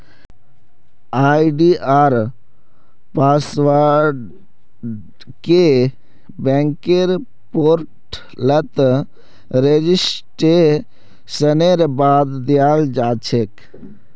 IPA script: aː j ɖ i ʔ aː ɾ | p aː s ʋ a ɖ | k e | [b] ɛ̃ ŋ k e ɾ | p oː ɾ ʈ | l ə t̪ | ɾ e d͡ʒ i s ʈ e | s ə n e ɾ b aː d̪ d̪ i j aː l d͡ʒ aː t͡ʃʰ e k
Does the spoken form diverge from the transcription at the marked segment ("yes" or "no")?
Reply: no